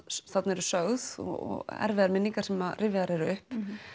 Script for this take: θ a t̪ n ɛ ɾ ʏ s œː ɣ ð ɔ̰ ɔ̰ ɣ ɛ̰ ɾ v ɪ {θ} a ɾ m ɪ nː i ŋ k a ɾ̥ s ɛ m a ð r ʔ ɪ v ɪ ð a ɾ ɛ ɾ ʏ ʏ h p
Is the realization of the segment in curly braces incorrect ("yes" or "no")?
yes